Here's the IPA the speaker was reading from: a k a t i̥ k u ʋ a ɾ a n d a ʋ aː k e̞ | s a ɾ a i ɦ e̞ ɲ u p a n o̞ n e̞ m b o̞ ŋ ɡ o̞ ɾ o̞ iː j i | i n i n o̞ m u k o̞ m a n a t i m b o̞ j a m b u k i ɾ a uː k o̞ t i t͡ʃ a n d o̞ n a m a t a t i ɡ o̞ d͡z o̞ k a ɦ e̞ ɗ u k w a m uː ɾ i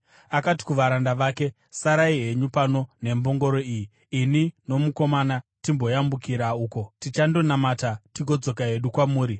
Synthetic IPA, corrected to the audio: a k a t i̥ k u ʋ a ɾ a n d a ʋ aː k e̞ | s a ɾ a i ɦ e̞ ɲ u p a n o̞ n e̞ m b o̞ ŋ ɡ o̞ ɾ o̞ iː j i | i n i n o̞ m u k o̞ m a n a t i m b o̞ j a m b u k i ɾ a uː k o̞ t i t͡ʃ a n d o̞ n a m a t a t i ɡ o̞ d͡z o̞ k a ɦ e̞ ɗ u k w a m uː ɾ i

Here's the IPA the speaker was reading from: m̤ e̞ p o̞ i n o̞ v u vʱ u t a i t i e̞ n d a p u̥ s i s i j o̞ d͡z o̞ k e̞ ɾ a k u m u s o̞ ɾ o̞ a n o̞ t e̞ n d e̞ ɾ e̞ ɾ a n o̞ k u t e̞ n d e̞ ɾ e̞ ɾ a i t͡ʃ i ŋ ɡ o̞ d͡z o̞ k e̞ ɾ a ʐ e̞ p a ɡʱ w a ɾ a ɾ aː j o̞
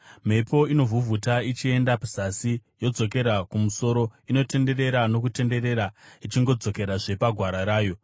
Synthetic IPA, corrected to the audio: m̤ e̞ p o̞ i n o̞ v u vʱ u t a i t͡ʃ i e̞ n d a p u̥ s a s i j o̞ d͡z o̞ k e̞ ɾ a k u m u s o̞ ɾ o̞ i n o̞ t e̞ n d e̞ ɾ e̞ ɾ a n o̞ k u t e̞ n d e̞ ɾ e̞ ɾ a i t͡ʃ i ŋ ɡ o̞ d͡z o̞ k e̞ ɾ a ʐ e̞ p a ɡʱ w a ɾ a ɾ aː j o̞

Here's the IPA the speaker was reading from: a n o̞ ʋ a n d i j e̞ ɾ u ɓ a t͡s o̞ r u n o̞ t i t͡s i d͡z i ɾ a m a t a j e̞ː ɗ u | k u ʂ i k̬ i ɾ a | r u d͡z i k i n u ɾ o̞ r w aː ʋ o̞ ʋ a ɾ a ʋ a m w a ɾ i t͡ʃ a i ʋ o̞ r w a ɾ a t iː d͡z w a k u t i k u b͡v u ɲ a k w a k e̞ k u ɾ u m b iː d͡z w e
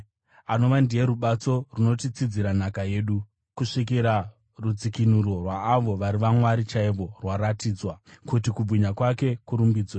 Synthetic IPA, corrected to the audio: a n o̞ ʋ a n d i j e̞ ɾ u ɓ a t͡s o̞ r u n o̞ t i t͡s i d͡z i ɾ a n a k a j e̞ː ɗ u | k u ʂ i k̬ i ɾ a | r u d͡z i k i n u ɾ o̞ r w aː ʋ o̞ ʋ a ɾ i ʋ a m w a ɾ i t͡ʃ a i ʋ o̞ r w a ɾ a t iː d͡z w a k u t i k u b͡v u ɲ a k w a k e̞ k u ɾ u m b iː d͡z w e

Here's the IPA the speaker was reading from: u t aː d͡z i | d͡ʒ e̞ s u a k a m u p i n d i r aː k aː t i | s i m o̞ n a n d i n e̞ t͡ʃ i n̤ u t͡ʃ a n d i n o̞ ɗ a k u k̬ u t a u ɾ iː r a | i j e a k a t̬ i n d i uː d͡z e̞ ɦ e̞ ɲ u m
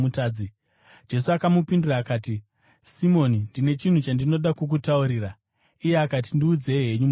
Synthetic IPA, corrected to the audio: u t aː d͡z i | d͡ʒ e̞ s u a k a m u p i n d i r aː k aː t i | s i m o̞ n i n d i n e̞ t͡ʃ i n̤ u t͡ʃ a n d i n o̞ ɗ a k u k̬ u t a u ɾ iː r a | i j e a k a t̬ i n d i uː d͡z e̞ ɦ e̞ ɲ u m

